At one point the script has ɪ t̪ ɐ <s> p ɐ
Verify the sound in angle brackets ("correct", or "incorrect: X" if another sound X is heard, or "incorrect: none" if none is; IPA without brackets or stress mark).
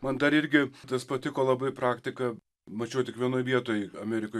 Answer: correct